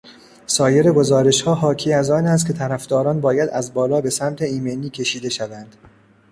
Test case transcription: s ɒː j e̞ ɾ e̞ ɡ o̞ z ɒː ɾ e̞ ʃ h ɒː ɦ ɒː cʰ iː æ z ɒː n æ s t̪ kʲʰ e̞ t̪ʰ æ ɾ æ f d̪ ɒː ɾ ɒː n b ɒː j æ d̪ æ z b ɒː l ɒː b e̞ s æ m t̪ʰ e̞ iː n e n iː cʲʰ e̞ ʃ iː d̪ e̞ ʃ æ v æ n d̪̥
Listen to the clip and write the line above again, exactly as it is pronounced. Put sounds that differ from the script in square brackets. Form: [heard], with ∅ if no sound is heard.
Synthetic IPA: s ɒː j e̞ ɾ e̞ ɡ o̞ z ɒː ɾ e̞ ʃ h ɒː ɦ ɒː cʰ iː æ z ɒː n æ s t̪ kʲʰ e̞ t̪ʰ æ ɾ æ f d̪ ɒː ɾ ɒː n b ɒː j æ d̪ æ z b ɒː l ɒː b e̞ s æ m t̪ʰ e̞ iː [m] e n iː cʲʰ e̞ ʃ iː d̪ e̞ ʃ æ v æ n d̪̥